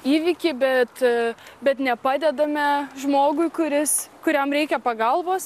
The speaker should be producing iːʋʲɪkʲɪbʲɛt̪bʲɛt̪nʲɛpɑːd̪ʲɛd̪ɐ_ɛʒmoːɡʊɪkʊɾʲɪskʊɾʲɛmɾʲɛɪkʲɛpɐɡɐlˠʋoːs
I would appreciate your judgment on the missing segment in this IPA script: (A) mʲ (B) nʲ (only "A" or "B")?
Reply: A